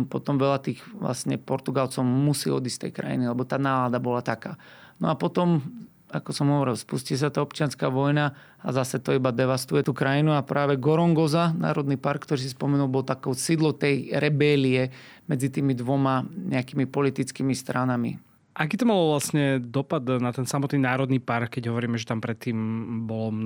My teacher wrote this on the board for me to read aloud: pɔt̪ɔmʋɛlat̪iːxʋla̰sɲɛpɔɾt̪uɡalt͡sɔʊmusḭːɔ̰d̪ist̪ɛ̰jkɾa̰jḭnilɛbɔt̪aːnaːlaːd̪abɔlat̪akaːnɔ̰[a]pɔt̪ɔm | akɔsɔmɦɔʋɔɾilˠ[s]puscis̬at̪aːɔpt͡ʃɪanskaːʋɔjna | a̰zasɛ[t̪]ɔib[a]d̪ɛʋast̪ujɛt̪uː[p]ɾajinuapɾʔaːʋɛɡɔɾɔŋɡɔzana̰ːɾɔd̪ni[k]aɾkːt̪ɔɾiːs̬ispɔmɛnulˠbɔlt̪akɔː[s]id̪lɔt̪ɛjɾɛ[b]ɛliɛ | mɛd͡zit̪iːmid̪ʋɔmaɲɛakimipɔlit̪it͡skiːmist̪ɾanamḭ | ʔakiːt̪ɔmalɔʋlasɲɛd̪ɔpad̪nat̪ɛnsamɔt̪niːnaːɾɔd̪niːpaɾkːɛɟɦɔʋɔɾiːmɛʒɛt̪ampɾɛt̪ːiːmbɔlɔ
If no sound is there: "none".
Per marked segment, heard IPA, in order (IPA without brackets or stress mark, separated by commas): a, s, t̪, a, k, p, s, b